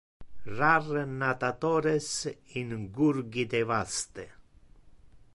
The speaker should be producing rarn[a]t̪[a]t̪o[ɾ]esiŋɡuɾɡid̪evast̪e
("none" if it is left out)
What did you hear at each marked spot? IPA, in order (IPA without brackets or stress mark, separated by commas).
a, a, ɾ